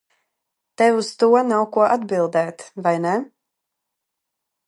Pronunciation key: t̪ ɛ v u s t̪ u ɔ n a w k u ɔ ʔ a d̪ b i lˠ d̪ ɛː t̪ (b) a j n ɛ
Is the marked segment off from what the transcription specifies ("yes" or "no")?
yes